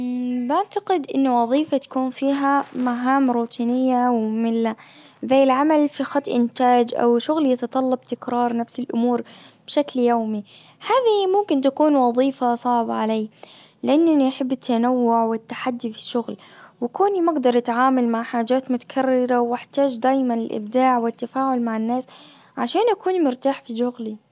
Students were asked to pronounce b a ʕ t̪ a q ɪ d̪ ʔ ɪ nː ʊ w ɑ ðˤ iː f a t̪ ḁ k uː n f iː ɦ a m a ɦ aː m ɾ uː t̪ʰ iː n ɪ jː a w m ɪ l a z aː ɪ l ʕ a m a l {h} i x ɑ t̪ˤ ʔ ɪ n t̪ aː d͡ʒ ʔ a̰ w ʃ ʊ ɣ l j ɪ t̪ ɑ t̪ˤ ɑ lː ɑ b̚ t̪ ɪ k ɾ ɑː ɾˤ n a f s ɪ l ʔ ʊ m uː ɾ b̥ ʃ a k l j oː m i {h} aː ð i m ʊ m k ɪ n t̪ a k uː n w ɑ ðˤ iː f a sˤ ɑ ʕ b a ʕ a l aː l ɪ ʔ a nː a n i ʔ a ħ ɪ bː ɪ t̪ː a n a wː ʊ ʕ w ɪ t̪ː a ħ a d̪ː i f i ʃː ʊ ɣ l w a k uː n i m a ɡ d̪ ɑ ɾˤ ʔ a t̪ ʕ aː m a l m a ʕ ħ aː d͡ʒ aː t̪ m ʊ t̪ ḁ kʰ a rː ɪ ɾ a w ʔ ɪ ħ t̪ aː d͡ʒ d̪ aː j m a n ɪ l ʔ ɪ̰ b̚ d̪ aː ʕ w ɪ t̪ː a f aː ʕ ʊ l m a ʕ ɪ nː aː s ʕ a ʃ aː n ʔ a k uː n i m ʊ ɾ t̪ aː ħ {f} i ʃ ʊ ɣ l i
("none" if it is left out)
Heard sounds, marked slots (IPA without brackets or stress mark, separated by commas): f, h, f